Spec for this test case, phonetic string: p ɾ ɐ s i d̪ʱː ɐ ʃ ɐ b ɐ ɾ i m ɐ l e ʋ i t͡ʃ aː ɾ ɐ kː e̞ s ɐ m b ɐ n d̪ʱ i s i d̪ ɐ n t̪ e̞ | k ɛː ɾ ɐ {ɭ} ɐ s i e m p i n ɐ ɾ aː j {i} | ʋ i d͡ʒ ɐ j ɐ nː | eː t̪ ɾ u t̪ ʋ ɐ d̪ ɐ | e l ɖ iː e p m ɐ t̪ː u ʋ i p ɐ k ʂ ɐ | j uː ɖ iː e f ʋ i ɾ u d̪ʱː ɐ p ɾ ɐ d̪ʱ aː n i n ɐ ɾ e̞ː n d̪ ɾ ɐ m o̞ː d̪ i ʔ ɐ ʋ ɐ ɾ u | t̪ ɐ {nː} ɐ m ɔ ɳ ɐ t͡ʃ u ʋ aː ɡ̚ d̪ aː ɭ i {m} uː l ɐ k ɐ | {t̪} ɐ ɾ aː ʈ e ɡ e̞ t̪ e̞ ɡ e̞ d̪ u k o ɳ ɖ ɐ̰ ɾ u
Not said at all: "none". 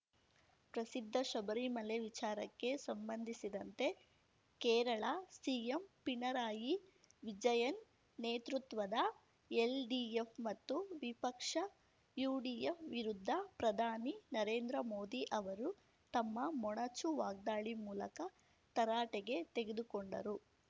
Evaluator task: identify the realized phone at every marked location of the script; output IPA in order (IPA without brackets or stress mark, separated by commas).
ɭ, i, mː, m, t̪